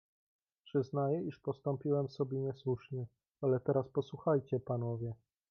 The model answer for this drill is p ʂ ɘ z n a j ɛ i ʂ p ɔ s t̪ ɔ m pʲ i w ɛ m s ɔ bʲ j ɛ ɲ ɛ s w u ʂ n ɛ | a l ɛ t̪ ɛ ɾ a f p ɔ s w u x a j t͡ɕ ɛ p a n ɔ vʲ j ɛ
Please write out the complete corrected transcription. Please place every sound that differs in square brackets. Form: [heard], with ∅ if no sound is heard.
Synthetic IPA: p ʂ ɘ z n a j ɛ i ʂ p ɔ s t̪ ɔ m pʲ i w ɛ m s ɔ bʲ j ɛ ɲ ɛ s w u ʂ [ɲ] ɛ | a l ɛ t̪ ɛ ɾ a [s] p ɔ s w u x a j t͡ɕ ɛ p a n ɔ vʲ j ɛ